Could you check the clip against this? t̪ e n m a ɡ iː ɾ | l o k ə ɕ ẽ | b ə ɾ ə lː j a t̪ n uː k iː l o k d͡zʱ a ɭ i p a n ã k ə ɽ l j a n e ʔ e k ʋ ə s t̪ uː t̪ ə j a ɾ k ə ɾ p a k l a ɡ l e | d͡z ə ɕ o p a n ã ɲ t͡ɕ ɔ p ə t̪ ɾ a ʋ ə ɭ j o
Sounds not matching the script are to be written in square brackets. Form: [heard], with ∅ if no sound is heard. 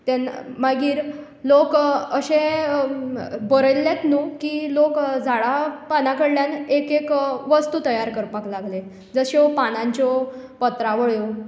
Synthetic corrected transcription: t̪ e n m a ɡ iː ɾ | l o k ə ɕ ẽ | b ə ɾ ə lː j a t̪ n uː k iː l o k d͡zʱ a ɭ [a] p a n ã k ə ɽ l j a n e [k] e k ʋ ə s t̪ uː t̪ ə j a ɾ k ə ɾ p a k l a ɡ l e | d͡z ə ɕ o p a n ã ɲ t͡ɕ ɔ p ə t̪ ɾ a ʋ ə ɭ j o